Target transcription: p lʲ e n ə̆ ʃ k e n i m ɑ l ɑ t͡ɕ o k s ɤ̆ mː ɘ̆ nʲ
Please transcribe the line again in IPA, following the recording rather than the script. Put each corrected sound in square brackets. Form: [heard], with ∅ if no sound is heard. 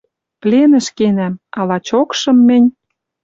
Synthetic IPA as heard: p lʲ e n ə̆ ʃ k e n [æ] m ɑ l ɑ t͡ɕ o k [ʃ] ɤ̆ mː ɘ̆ nʲ